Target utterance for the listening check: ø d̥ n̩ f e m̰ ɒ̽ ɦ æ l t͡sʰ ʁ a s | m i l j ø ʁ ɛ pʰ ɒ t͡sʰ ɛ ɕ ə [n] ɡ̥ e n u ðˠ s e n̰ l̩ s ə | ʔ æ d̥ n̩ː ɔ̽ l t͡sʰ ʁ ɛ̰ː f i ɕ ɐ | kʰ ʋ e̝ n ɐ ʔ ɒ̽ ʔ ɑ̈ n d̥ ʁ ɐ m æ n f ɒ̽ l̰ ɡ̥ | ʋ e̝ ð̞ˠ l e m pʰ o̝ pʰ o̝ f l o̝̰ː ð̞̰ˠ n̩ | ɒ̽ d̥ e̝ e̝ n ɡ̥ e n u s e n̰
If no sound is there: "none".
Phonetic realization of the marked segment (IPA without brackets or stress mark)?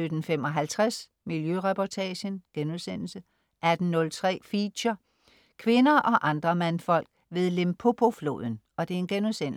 n